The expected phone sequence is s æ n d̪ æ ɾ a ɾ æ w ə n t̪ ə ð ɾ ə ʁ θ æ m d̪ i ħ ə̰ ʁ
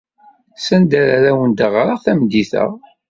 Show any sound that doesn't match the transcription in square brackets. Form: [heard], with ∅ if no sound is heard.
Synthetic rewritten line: s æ n d̪ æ ɾ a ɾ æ w ə n [d̪] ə [ʁ] ɾ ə ʁ θ æ m d̪ i [θ] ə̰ ʁ